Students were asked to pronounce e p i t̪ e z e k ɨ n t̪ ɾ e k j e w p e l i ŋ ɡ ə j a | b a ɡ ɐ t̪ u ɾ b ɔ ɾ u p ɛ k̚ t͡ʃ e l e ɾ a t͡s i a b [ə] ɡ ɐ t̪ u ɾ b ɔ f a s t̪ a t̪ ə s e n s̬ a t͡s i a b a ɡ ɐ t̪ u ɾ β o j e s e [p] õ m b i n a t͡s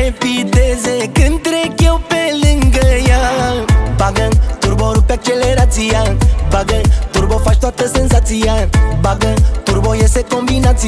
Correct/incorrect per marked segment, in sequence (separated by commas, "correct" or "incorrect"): incorrect, incorrect